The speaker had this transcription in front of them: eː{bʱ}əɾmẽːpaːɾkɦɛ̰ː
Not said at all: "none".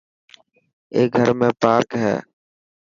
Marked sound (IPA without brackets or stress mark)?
ɡʱ